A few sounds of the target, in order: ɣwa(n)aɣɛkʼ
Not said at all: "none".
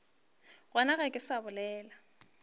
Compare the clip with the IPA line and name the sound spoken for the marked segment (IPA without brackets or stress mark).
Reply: n